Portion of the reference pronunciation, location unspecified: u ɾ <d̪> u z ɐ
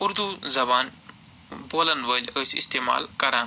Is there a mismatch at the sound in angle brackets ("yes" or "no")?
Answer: no